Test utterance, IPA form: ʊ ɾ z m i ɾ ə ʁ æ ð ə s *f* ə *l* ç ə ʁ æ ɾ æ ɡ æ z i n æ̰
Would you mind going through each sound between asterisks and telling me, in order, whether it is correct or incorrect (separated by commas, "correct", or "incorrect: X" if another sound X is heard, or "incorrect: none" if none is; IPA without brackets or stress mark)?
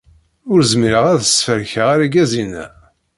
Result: correct, incorrect: ɾ